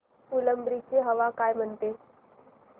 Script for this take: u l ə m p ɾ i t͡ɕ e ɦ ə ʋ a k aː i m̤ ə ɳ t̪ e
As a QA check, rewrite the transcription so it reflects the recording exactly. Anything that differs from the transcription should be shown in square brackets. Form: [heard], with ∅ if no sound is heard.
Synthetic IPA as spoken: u l ə m [b] ɾ i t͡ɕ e ɦ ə ʋ a k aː [j] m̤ ə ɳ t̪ e